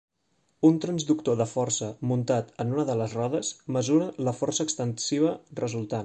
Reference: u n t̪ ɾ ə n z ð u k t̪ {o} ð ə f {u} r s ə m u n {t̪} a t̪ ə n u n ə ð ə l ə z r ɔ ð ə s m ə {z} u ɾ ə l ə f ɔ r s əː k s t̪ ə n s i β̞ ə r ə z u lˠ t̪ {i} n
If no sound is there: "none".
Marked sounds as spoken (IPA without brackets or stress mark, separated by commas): o, ɔ, t̪, z, a